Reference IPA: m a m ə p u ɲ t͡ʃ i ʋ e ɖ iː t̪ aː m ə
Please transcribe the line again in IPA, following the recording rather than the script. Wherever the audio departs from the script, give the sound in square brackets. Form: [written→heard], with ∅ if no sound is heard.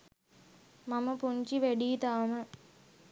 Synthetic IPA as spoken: m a m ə p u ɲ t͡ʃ i ʋ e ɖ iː t̪ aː m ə